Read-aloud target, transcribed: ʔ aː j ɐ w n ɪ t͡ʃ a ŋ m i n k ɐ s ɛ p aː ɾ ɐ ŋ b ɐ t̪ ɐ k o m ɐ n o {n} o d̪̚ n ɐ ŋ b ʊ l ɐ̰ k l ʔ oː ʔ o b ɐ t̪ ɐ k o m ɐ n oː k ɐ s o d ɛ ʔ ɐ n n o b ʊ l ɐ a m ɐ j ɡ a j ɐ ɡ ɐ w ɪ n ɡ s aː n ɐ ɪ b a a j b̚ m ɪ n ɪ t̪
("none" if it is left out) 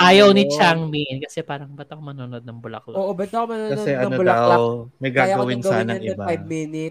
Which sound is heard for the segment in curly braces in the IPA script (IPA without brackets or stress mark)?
n